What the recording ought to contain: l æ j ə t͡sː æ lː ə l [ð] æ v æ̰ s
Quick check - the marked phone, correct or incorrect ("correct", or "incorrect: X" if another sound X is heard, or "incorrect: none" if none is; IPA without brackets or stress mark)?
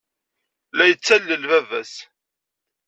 incorrect: v